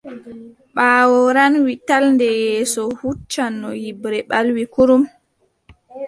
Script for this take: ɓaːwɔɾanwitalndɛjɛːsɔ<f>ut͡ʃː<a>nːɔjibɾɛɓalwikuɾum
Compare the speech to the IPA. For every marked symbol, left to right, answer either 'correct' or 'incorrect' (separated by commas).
incorrect, correct